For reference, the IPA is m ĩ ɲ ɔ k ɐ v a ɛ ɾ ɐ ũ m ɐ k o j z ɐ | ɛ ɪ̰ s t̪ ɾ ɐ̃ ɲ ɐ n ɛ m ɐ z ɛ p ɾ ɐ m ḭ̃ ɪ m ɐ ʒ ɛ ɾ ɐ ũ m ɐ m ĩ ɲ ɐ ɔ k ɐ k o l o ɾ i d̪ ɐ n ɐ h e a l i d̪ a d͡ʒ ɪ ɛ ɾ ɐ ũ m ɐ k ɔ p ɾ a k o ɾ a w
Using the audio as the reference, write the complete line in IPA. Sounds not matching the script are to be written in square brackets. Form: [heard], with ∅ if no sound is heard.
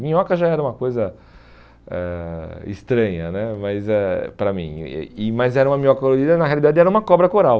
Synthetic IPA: m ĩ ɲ ɔ k ɐ [ʒ] a ɛ ɾ ɐ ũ m ɐ k o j z ɐ | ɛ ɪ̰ s t̪ ɾ ɐ̃ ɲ ɐ n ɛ m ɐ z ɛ p ɾ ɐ m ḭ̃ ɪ m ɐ [z] ɛ ɾ ɐ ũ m ɐ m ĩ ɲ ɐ ɔ k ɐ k o l o ɾ i d̪ ɐ n ɐ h e a l i d̪ a d͡ʒ ɪ ɛ ɾ ɐ ũ m ɐ k ɔ [b] ɾ [ɐ] k o ɾ a w